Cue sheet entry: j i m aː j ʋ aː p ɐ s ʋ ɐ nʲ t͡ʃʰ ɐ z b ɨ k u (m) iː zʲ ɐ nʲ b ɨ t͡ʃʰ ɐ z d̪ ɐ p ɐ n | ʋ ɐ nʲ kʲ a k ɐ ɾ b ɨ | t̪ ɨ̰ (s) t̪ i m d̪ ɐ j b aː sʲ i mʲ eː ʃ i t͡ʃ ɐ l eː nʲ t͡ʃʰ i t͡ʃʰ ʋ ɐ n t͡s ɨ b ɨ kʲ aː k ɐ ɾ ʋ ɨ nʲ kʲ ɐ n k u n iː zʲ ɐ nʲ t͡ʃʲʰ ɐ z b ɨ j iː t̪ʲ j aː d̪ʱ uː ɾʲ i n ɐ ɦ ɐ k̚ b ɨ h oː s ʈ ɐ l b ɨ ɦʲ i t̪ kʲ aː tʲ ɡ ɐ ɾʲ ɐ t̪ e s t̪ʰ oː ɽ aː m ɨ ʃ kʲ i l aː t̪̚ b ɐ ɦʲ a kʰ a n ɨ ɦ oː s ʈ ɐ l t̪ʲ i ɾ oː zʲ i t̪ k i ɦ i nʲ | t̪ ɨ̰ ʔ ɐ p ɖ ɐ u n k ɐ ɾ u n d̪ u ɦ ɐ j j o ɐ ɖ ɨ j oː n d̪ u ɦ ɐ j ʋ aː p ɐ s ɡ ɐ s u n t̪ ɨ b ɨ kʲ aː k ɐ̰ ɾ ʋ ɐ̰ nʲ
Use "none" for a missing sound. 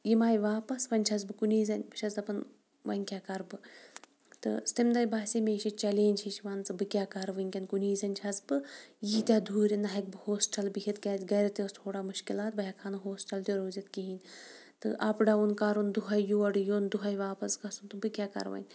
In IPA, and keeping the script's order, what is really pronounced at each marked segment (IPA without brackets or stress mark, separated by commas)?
n, s